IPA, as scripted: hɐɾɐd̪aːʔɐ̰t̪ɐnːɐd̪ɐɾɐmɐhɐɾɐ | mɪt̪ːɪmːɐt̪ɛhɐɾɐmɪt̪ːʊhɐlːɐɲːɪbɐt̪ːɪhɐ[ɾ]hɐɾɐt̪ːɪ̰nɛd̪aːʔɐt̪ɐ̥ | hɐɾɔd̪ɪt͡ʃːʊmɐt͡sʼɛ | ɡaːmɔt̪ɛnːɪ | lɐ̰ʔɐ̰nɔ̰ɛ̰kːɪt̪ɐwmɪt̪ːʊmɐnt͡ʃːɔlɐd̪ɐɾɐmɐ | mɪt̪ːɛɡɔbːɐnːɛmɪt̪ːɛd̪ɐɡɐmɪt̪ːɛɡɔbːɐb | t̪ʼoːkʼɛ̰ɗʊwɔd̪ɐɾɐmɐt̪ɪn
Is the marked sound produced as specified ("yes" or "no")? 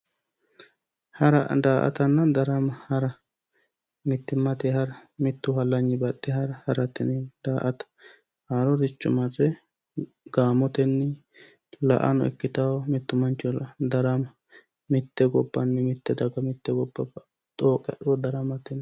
yes